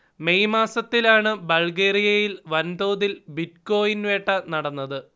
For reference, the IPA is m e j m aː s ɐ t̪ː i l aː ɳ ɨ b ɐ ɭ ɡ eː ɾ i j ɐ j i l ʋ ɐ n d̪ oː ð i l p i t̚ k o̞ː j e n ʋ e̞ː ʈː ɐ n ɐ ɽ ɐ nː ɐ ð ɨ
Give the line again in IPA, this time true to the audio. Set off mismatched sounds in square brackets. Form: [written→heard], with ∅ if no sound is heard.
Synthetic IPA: m e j m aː s ɐ t̪ː i l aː ɳ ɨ b ɐ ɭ ɡ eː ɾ i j ɐ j i l ʋ ɐ n d̪ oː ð i l [p→b] i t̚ k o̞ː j [e→i] n ʋ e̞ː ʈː ɐ n ɐ ɽ ɐ nː ɐ ð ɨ